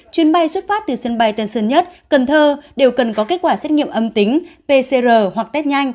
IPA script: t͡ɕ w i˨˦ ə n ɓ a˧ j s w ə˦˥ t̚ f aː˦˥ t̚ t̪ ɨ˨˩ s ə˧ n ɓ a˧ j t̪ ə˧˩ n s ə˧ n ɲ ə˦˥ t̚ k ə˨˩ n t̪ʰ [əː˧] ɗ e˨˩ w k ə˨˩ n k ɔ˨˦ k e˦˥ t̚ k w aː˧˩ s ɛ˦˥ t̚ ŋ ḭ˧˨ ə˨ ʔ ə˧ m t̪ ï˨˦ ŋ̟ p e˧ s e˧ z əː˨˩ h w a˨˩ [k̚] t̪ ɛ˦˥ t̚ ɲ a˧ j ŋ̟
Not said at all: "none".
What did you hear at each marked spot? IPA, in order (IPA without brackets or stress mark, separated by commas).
əː˧, k̚